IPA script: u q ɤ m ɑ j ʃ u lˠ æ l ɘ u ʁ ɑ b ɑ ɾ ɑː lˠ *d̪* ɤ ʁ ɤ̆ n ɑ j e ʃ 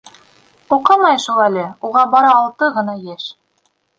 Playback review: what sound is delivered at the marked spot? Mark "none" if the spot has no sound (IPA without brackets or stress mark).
t̪